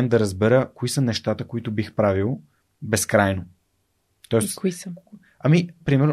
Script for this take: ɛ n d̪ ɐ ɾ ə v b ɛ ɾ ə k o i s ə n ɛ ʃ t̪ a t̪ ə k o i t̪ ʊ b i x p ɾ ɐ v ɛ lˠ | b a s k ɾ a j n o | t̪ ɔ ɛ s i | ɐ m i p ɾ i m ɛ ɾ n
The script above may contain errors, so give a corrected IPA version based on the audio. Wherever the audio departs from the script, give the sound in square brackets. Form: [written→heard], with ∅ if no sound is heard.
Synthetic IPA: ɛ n d̪ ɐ ɾ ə [v→z] b ɛ ɾ ə k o i s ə n ɛ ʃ t̪ a t̪ ə k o i t̪ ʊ b i x p ɾ [ɐ→a] v [ɛ→i] lˠ | b [a→ɛ] s k ɾ a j n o | t̪ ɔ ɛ s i | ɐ m i p ɾ i m ɛ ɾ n